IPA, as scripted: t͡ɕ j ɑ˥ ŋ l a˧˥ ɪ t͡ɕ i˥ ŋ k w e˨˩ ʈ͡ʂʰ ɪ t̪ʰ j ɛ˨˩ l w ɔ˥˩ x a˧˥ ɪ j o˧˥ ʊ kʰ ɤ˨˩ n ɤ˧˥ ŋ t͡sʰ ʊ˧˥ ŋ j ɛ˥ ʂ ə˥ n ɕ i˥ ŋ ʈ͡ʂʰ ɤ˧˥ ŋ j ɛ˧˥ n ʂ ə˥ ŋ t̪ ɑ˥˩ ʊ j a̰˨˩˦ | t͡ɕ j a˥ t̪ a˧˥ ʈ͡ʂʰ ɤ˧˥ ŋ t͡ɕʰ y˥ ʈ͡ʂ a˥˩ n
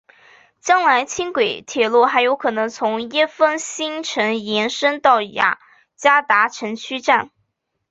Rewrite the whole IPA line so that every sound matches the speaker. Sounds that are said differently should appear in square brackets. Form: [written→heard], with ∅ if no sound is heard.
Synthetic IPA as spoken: t͡ɕ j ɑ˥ ŋ l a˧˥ ɪ [t͡ɕ→t͡ɕʰ] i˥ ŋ k w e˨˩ [ʈ͡ʂʰ→∅] ɪ t̪ʰ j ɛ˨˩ l w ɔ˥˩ x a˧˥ ɪ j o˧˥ ʊ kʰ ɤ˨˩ n ɤ˧˥ ŋ t͡sʰ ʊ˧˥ ŋ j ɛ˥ [ʂ→f] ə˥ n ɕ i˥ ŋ ʈ͡ʂʰ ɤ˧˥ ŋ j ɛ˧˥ n ʂ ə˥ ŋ t̪ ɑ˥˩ ʊ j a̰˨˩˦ | t͡ɕ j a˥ t̪ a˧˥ ʈ͡ʂʰ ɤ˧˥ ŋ t͡ɕʰ y˥ ʈ͡ʂ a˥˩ n